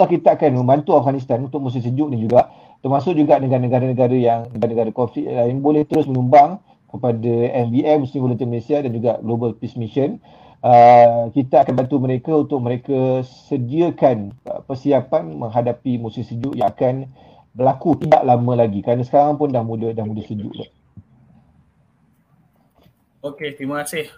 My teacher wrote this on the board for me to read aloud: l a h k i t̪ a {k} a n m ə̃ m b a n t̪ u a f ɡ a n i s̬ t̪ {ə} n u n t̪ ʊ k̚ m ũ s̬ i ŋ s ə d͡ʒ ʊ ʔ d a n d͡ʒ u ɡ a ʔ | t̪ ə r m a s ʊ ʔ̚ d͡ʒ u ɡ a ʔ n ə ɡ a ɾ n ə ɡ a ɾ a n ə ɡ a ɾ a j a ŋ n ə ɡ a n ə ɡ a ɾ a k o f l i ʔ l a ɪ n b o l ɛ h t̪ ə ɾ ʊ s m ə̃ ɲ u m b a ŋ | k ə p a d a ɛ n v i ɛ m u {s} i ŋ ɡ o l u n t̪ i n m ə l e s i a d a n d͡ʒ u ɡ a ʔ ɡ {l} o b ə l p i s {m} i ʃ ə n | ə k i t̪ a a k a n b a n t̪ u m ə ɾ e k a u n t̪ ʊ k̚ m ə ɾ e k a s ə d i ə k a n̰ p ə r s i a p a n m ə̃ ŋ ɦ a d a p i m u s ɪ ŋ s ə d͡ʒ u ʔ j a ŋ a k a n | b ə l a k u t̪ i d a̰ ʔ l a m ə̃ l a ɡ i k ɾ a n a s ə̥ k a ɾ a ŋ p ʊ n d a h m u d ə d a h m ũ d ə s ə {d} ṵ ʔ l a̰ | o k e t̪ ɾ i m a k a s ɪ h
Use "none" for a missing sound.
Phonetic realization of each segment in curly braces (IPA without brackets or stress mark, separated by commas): k, a, s, l, m, d͡ʒ